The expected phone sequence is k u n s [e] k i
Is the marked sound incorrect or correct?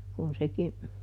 correct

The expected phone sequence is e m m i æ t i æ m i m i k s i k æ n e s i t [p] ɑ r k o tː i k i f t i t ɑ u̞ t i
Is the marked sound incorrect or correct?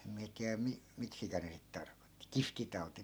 incorrect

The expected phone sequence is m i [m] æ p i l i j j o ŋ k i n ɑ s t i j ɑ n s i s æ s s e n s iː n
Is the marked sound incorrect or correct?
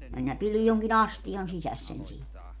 incorrect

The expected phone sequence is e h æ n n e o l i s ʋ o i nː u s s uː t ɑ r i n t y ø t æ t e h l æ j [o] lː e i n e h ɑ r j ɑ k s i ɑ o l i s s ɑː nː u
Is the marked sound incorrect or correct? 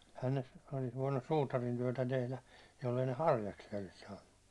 correct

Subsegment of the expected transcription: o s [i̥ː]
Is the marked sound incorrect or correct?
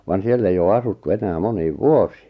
correct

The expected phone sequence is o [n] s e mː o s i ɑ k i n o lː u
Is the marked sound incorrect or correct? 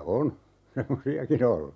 correct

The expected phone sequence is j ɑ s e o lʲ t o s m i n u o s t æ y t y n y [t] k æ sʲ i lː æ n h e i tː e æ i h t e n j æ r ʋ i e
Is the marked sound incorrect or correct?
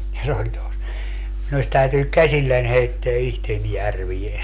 incorrect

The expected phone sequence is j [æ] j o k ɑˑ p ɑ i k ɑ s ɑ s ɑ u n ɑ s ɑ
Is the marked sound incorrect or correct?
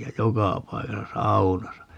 correct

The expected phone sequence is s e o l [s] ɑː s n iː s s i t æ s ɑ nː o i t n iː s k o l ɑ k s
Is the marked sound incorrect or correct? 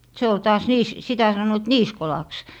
incorrect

